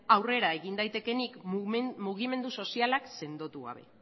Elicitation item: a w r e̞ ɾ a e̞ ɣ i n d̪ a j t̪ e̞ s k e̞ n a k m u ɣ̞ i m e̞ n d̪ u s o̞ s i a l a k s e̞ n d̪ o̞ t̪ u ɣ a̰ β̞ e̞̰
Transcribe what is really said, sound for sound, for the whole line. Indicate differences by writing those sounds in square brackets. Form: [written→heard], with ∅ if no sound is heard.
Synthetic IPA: a w r e̞ ɾ a e̞ ɣ i n d̪ a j t̪ e̞ [s→∅] k e̞ n [a→i] k m u ɣ̞ i m e̞ n d̪ u s o̞ s i a l a k s e̞ n d̪ o̞ t̪ u ɣ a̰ β̞ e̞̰